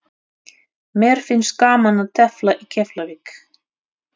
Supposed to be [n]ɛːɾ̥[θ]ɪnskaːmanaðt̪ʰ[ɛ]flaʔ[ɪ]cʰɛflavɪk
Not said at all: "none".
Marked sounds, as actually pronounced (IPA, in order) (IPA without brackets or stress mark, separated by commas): m, f, ɛ, i